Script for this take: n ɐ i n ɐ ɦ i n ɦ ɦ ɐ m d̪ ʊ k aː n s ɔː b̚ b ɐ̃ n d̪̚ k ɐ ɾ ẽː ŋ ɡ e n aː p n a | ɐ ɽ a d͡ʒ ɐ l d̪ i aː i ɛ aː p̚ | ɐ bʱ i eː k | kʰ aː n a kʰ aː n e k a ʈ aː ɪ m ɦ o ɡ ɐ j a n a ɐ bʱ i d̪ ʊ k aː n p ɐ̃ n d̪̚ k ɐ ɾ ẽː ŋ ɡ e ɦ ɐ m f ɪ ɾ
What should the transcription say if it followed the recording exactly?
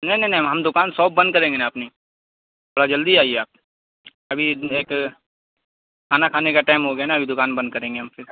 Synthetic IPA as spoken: n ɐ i n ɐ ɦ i n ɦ ɦ ɐ m d̪ ʊ k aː n s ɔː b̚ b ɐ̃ n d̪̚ k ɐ ɾ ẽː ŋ ɡ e n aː p n i | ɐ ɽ a d͡ʒ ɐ l d̪ i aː i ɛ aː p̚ | ɐ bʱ i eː k | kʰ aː n a kʰ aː n e k a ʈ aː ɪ m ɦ o ɡ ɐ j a n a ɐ bʱ i d̪ ʊ k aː n b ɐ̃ n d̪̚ k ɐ ɾ ẽː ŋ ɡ e ɦ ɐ m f ɪ ɾ

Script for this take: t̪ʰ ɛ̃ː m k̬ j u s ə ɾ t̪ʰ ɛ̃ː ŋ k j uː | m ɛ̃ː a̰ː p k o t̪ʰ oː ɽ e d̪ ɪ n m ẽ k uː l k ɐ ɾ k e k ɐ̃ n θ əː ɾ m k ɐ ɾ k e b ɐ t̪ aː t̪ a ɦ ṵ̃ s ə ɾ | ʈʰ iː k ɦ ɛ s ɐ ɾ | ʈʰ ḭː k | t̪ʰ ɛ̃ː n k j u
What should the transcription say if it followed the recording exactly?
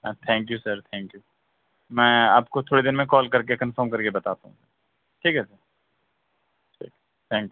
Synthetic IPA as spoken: t̪ʰ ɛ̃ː ŋ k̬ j u s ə ɾ t̪ʰ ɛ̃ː ŋ k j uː | m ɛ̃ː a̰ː p k o t̪ʰ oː ɽ e d̪ ɪ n m ẽ k ɔː l k ɐ ɾ k e k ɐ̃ n f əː ɾ m k ɐ ɾ k e b ɐ t̪ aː t̪ a ɦ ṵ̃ s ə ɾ | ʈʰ iː k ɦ ɛ s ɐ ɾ | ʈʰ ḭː k | t̪ʰ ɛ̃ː ŋ k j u

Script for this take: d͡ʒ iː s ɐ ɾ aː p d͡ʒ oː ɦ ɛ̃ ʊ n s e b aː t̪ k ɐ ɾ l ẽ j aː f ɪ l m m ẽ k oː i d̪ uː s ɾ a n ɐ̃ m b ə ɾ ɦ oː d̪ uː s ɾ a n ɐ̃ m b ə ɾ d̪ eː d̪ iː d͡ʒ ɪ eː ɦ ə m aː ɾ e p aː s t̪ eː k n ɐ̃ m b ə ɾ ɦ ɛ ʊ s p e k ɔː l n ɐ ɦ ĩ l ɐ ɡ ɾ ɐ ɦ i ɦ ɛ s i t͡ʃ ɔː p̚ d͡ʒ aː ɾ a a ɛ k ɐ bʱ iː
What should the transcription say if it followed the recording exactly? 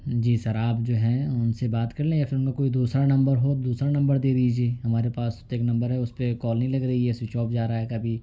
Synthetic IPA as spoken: d͡ʒ iː s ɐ ɾ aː p d͡ʒ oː ɦ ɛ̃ ʊ n s e b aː t̪ k ɐ ɾ l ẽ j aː f ɪ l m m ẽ k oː i d̪ uː s ɾ a n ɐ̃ m b ə ɾ ɦ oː d̪ uː s ɾ a n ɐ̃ m b ə ɾ d̪ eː d̪ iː d͡ʒ i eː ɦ ɐ m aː ɾ e p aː s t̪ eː k n ɐ̃ m b ə ɾ ɦ ɛ ʊ s p e k ɔː l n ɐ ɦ ĩ l ɐ ɡ ɾ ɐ ɦ i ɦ ɛ s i t͡ʃ ɔː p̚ d͡ʒ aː ɾ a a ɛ k ɐ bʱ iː

